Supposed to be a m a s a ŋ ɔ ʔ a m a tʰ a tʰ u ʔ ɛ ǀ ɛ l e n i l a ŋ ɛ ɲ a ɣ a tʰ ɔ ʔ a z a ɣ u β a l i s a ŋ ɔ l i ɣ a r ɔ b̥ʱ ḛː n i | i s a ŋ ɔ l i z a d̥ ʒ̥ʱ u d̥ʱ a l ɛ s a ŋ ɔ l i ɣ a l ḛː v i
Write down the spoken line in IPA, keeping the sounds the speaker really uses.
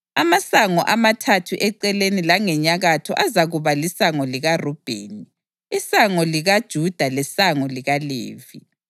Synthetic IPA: a m a s a ŋ ɔ ʔ a m a tʰ a tʰ u ʔ ɛ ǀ ɛ l e n i l a ŋ ɛ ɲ a ɣ a tʰ ɔ ʔ a z a ɣ u β a l i s a ŋ ɔ l i ɣ a r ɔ b̥ʱ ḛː n i | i s a ŋ ɔ l i ɣ a d̥ ʒ̥ʱ u d̥ʱ a l ɛ s a ŋ ɔ l i ɣ a l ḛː v i